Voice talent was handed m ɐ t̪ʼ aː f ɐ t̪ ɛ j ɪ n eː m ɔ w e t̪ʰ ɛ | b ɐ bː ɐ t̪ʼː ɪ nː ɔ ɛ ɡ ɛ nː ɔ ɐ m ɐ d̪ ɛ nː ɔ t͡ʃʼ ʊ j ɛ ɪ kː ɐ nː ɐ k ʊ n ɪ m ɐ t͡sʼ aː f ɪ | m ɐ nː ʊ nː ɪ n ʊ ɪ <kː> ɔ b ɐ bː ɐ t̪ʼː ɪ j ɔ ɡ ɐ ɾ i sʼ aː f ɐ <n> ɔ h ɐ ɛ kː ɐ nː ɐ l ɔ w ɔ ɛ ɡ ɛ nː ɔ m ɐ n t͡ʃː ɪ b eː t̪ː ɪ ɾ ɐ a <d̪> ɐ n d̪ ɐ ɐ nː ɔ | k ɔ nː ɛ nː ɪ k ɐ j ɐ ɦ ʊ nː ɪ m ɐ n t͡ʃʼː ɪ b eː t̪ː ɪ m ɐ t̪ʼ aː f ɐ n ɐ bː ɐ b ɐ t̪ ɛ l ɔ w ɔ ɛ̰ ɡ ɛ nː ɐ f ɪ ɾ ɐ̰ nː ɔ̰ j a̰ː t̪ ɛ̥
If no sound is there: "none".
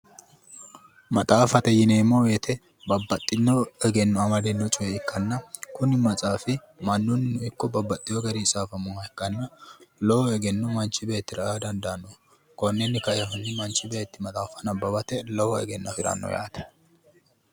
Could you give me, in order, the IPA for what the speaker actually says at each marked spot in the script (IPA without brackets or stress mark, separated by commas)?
kː, m, d̪